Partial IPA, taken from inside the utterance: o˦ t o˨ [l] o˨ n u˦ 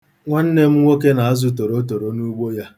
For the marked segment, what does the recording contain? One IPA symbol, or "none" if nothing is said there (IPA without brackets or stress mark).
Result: ɾ